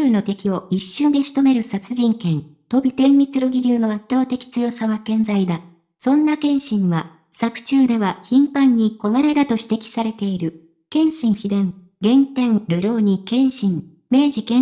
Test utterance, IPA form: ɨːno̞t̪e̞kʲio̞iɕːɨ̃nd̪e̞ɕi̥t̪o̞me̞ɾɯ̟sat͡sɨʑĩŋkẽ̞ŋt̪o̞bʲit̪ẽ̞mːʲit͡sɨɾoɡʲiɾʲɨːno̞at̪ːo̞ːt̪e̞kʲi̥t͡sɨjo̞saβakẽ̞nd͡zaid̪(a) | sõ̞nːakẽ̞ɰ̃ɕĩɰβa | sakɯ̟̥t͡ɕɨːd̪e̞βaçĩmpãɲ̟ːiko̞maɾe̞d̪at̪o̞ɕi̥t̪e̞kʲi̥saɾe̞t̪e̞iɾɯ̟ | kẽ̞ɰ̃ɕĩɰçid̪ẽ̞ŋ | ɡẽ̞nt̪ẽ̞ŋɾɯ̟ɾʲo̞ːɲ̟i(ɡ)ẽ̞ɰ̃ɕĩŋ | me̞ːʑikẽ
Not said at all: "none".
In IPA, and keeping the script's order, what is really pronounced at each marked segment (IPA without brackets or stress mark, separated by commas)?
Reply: a, k